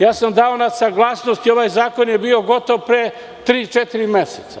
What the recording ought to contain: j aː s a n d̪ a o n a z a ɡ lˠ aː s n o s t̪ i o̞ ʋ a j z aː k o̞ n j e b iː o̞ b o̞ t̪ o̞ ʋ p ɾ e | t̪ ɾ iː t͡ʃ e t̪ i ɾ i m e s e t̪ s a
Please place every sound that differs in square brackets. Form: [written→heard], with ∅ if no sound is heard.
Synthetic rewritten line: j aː s a [n→m] d̪ a o n a [z→s] a ɡ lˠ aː s n o s t̪ i o̞ ʋ a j z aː k o̞ n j e b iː o̞ [b→ɡ] o̞ t̪ o̞ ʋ p ɾ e | t̪ ɾ iː t͡ʃ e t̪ i ɾ i m e s e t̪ s a